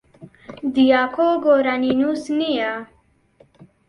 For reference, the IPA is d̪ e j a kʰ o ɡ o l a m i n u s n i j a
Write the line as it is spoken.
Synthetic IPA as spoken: d̪ i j a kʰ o ɡ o ɾ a n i n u s n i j a